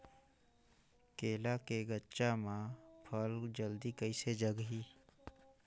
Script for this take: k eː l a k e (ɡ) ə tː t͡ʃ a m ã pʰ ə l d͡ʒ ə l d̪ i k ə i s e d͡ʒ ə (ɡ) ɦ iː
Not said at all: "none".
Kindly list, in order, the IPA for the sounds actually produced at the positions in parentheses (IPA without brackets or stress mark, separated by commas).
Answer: ɡ, ɡ